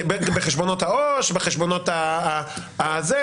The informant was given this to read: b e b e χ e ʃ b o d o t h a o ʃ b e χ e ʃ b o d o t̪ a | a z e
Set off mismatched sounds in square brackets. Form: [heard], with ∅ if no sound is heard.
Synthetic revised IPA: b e b e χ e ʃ b o [n] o t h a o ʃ b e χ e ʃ b o [n] o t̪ a | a z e